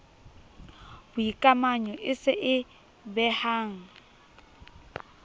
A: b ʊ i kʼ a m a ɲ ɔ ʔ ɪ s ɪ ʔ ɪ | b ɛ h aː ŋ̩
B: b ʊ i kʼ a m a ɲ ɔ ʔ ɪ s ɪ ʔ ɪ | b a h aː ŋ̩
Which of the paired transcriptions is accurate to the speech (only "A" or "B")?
A